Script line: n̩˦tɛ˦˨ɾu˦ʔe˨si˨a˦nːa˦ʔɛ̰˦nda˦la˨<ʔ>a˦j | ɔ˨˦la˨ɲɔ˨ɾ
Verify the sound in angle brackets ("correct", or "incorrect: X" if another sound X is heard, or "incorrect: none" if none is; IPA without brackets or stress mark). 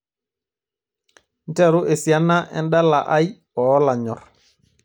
correct